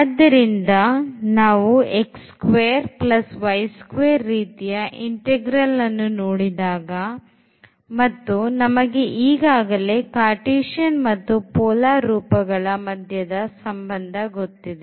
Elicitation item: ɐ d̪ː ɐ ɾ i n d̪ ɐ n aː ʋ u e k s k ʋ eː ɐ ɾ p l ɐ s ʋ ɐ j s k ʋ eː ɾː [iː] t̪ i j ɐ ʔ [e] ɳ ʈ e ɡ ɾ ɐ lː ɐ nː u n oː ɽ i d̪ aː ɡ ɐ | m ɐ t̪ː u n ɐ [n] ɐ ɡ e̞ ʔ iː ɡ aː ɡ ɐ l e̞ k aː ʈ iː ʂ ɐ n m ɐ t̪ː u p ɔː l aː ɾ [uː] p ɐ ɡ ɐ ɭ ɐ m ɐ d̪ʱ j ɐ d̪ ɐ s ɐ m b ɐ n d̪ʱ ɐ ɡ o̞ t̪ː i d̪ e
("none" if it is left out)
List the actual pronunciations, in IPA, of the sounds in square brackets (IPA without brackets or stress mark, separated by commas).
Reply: iː, i, m, uː